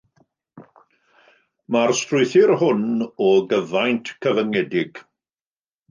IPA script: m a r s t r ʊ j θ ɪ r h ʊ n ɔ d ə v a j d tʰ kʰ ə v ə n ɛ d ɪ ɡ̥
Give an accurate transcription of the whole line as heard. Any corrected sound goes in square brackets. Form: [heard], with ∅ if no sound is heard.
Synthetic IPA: m a r s t r ʊ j θ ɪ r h ʊ n ɔ [ɡ] ə v a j [n] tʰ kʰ ə v ə [ŋ] ɛ d ɪ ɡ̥